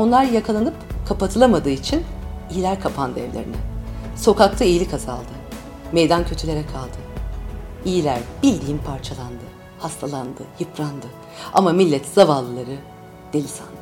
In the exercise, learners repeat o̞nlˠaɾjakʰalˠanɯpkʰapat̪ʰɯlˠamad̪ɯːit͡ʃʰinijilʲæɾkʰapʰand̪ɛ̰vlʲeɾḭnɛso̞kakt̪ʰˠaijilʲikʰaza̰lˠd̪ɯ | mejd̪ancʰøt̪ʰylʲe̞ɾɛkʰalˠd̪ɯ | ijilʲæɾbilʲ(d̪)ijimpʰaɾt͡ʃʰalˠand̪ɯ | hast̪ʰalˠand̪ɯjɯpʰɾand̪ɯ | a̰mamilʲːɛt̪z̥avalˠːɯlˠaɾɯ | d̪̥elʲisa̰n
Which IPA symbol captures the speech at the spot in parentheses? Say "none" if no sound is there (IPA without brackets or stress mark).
d̪